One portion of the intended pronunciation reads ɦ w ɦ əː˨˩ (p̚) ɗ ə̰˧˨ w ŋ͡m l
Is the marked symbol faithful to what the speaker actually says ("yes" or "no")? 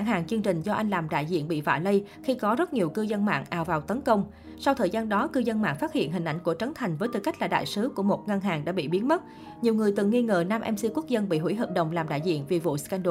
yes